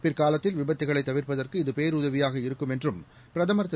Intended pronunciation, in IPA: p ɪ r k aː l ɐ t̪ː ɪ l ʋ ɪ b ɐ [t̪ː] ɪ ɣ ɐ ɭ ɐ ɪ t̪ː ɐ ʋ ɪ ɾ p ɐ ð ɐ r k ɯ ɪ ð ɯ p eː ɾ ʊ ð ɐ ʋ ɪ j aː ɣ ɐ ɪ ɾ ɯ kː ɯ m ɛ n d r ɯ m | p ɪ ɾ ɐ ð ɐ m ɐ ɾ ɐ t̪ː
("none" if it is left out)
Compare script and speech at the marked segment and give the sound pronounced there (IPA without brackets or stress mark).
t̪ː